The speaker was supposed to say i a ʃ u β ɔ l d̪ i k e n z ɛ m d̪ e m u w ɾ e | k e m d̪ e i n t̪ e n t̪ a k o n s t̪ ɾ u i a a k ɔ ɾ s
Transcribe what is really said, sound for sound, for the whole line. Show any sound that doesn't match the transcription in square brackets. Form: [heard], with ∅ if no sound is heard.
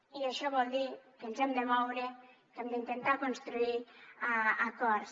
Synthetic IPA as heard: i a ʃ [ɔ] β ɔ l d̪ i k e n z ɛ m d̪ e m [ɔ] w ɾ e | k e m d̪ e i n t̪ e n t̪ a k o n s t̪ ɾ u i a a k ɔ ɾ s

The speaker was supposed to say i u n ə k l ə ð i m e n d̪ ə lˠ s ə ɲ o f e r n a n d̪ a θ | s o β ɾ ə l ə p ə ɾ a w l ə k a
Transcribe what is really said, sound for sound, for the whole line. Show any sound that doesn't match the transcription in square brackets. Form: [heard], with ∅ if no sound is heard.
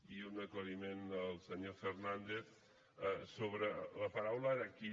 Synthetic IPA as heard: i u n ə k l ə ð i m e n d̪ ə lˠ s ə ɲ o f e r n a n d̪ [e] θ | s o β ɾ ə l ə p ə ɾ a w l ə k [i]

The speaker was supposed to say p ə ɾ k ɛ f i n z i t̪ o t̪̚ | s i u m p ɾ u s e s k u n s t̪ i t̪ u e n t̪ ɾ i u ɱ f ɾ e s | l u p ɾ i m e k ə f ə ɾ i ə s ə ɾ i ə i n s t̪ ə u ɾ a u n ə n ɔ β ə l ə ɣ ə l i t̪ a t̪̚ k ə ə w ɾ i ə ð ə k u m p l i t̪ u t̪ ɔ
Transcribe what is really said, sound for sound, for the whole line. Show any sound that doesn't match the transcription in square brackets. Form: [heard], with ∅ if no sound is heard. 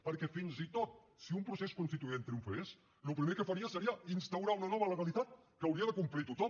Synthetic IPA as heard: p ə ɾ k ɛ f i n z i t̪ o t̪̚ | s i u m p ɾ u s e s k u n s t̪ i t̪ u e n t̪ ɾ i u ɱ f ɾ e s | l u p ɾ i m e k ə f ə ɾ i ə s ə ɾ i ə i n s t̪ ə [w] ɾ a u n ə n ɔ β ə l ə ɣ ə l i t̪ a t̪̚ k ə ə w ɾ i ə ð ə k u m p l i t̪ u t̪ ɔ

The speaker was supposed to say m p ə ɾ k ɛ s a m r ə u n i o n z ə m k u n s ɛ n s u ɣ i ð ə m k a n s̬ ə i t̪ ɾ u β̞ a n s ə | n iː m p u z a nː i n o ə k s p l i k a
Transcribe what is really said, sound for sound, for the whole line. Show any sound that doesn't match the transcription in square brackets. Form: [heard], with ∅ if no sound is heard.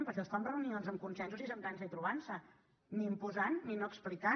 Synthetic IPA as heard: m p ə ɾ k ɛ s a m r ə u n i o n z ə m k u n s ɛ n s u [z] i [z] ə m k a n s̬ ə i t̪ ɾ u β̞ a n s ə | n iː m p u z a nː i n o ə k s p l i k a

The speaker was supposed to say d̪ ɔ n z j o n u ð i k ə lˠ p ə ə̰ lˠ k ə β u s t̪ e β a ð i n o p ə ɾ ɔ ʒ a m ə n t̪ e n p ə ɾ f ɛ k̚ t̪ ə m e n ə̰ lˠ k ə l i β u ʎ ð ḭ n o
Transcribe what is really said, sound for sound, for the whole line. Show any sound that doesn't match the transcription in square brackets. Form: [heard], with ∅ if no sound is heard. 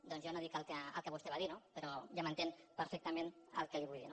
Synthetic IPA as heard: d̪ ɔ n z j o n [o] ð i k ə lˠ [k] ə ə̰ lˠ k ə β u s t̪ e β a ð i n o p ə ɾ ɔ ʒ a m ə n t̪ e n p ə ɾ f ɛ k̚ t̪ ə m e n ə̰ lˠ k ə l i β u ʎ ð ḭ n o

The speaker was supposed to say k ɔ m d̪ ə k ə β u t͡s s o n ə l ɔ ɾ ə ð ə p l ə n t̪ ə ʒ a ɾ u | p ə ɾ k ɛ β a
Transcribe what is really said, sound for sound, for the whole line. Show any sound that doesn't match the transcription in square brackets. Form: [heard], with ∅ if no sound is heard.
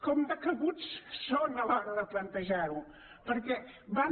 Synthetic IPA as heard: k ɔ m d̪ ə k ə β u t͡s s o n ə l ɔ ɾ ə ð ə p l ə n t̪ ə ʒ a ɾ u | p ə ɾ k ɛ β a

